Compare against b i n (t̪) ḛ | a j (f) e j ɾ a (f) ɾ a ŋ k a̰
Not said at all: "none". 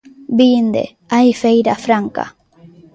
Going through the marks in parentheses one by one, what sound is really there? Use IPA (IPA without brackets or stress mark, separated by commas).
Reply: d̪, f, f